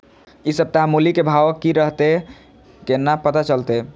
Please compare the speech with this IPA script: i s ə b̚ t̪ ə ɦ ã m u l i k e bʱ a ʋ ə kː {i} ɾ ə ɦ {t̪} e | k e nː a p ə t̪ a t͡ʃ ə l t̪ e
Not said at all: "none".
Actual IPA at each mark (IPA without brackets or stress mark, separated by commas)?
i, t̪